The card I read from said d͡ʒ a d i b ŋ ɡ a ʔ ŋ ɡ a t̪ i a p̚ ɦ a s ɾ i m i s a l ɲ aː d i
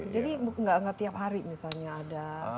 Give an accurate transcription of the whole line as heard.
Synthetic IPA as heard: d͡ʒ a d i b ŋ ɡ a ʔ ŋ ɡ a t̪ i a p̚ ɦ a ɾ i m i s a l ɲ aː d a